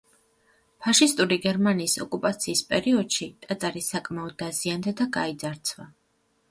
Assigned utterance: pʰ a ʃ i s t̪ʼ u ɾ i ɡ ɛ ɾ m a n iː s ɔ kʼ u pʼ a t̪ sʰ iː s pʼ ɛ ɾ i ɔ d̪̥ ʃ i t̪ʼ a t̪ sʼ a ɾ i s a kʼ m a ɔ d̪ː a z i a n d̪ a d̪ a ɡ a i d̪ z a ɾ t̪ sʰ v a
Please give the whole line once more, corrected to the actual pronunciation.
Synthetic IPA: pʰ a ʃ i s t̪ʼ u ɾ i ɡ ɛ ɾ m a n iː s ɔ kʼ u pʼ a t̪ sʰ iː s pʼ ɛ ɾ i ɔ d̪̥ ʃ i t̪ʼ a t̪ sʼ a ɾ i s a kʼ m a ɔ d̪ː a z i a n d̪ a d̪ a ɡ a i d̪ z a ɾ t̪ sʰ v a